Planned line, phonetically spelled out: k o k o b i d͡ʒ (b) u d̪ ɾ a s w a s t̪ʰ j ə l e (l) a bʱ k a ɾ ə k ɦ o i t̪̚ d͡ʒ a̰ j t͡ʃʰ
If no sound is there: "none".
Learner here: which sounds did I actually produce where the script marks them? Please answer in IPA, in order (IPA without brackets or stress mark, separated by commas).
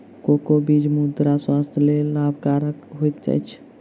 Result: m, l